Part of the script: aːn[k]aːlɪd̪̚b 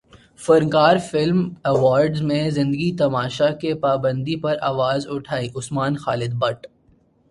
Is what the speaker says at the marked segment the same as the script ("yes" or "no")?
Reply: no